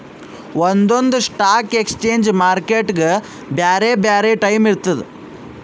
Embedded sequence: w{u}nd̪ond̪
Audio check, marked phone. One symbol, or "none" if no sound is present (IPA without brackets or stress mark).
o